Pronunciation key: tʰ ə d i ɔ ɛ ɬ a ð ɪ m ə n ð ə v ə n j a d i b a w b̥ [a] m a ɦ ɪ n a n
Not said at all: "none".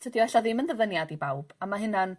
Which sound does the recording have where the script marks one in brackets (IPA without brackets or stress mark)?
a